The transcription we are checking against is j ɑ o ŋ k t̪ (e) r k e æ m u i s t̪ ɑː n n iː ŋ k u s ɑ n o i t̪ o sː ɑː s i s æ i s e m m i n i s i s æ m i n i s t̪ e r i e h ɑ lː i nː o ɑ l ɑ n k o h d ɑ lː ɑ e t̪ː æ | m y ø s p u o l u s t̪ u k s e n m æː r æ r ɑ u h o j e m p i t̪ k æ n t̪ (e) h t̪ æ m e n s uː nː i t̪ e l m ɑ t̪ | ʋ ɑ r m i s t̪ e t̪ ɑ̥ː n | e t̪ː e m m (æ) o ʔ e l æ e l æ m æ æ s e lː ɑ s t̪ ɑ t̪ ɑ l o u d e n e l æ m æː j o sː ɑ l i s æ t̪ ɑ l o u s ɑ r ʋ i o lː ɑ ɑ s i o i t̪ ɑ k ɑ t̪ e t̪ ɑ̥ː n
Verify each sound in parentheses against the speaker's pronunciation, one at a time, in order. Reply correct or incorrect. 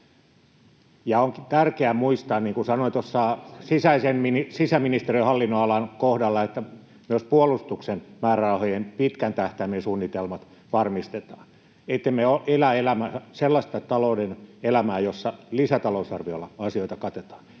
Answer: incorrect: æ, incorrect: æ, incorrect: e

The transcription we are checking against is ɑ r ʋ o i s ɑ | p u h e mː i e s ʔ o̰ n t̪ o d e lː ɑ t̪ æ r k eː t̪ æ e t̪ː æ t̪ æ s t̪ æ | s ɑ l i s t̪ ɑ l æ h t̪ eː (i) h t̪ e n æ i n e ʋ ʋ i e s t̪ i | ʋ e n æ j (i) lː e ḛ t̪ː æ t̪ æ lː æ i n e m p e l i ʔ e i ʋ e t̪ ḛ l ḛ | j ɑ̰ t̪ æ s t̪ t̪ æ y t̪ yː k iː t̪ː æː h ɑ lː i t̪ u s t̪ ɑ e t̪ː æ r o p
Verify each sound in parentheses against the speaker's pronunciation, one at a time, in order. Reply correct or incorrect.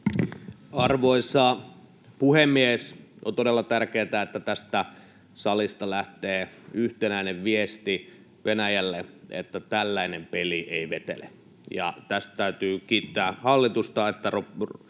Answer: incorrect: y, incorrect: æ

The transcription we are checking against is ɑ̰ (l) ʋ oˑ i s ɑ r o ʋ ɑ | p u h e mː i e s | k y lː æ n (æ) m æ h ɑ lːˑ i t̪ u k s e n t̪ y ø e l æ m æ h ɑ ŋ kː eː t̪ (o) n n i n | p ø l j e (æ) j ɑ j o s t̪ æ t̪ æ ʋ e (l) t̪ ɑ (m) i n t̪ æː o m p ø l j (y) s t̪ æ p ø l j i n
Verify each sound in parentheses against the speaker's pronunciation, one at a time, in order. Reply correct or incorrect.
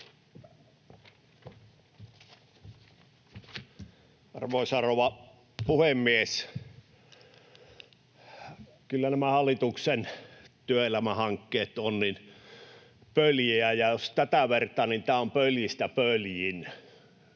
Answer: incorrect: r, correct, correct, correct, incorrect: r, incorrect: n, incorrect: i

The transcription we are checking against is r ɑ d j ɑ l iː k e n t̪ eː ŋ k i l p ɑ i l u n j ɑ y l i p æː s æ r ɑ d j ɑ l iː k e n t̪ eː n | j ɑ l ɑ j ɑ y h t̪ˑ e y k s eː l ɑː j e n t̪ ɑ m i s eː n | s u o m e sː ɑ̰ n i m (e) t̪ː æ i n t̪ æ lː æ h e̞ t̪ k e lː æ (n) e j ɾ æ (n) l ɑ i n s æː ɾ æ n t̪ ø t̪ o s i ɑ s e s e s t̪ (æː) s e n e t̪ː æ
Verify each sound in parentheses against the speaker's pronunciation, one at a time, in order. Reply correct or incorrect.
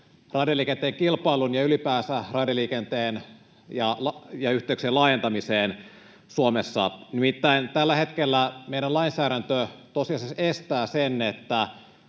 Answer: incorrect: i, incorrect: m, correct, correct

